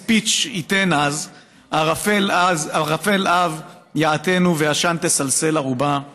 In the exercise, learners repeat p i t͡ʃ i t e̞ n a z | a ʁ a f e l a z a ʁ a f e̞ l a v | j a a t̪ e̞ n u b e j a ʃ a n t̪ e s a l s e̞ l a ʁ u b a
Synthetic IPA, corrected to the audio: p i t͡ʃ i t e̞ n a z | a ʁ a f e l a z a ʁ a f e̞ l a v | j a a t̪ e̞ n u v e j a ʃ a n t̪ e s a l s e̞ l a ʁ u b a